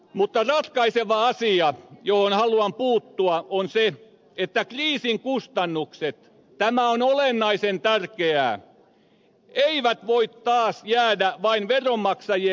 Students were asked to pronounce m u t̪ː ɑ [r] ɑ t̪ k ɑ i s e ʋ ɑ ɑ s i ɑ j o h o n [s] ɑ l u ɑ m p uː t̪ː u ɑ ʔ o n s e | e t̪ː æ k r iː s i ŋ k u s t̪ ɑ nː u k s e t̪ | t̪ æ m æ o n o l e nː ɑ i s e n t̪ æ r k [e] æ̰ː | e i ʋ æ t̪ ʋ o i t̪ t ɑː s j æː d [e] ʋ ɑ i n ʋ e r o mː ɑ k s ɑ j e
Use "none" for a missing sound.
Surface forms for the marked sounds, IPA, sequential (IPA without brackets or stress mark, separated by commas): r, h, e, æ